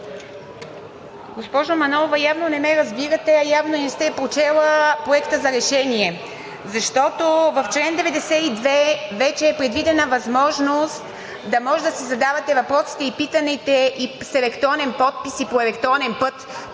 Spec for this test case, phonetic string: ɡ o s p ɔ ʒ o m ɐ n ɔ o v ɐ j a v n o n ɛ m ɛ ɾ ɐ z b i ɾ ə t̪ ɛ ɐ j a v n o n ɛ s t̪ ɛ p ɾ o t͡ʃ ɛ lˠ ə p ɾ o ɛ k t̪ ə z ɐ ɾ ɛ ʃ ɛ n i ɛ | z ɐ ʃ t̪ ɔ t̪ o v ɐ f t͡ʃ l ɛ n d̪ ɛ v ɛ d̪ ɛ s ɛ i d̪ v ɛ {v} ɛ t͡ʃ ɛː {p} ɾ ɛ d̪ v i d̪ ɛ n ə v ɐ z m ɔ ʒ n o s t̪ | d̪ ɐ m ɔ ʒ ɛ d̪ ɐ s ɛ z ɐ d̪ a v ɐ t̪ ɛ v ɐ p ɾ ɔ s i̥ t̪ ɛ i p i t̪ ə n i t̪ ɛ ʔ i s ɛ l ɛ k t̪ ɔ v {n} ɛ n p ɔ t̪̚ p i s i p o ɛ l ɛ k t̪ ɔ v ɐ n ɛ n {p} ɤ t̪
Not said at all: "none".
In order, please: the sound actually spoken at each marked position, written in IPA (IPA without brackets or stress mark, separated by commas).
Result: v, p, n, p